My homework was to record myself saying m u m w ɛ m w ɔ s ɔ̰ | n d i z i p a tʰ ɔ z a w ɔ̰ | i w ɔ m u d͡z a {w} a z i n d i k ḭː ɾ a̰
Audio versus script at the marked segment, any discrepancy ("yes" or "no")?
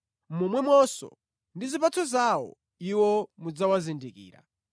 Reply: no